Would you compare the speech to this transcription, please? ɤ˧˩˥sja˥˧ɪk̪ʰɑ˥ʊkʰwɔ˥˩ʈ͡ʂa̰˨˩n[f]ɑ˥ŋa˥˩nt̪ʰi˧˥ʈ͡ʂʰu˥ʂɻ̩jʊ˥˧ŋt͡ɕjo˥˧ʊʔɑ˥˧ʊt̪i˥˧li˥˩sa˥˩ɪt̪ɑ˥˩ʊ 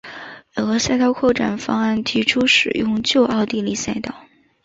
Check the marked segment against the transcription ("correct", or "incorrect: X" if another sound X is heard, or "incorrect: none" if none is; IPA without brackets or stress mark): correct